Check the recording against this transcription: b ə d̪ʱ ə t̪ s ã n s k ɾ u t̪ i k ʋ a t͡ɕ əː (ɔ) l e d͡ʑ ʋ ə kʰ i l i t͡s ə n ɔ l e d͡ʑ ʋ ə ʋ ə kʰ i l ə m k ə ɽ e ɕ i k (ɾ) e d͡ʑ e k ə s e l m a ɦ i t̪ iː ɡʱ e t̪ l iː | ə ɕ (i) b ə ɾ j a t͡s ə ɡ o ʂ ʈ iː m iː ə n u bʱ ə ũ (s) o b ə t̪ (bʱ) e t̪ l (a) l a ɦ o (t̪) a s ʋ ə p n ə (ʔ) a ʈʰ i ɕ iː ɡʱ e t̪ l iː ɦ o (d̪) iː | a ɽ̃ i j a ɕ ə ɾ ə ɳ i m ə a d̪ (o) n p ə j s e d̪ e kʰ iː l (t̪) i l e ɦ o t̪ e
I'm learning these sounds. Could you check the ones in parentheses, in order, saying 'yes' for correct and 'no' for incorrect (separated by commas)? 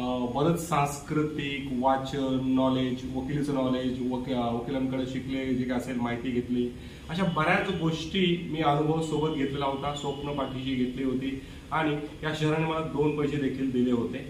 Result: yes, no, no, yes, no, no, yes, no, no, yes, no